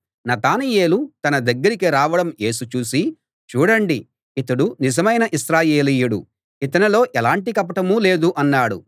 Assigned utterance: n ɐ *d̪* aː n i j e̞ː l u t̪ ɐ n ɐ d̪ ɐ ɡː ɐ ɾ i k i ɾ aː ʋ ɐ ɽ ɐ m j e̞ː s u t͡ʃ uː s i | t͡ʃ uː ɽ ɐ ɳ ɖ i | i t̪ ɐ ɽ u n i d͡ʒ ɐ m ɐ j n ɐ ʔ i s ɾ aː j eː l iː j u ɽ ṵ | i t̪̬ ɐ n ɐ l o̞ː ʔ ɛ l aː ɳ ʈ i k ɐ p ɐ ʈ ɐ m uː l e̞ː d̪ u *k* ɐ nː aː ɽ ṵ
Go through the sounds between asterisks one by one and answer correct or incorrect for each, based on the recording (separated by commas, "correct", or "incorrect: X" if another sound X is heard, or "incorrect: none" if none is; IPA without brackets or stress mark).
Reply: incorrect: t̪, incorrect: ʔ